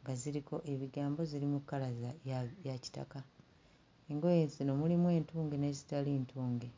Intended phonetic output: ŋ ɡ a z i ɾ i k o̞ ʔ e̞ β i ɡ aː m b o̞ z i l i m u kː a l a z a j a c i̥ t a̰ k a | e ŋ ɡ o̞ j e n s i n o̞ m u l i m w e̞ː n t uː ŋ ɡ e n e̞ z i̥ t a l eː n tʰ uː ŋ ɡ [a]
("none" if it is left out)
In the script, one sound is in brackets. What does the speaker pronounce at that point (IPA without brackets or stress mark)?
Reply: e